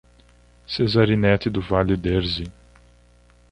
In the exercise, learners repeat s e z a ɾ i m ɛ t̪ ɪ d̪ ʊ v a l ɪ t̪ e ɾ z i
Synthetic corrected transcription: s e z a ɾ i n ɛ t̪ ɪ d̪ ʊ v a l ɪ d̪ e ɾ z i

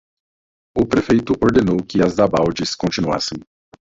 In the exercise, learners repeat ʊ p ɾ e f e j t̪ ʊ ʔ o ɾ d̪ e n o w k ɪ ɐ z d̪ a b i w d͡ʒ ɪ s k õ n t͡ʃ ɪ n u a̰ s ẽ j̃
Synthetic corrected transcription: ʊ p ɾ e f e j t̪ ʊ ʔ o ɾ d̪ e n o w k ɪ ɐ z d̪ a b a w d͡ʒ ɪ s k õ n t͡ʃ i n u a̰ s ẽ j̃

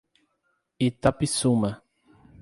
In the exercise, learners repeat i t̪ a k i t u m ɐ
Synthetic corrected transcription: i t̪ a p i s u m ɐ

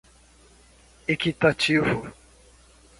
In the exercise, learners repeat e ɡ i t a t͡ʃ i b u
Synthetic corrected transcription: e k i t a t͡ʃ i v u

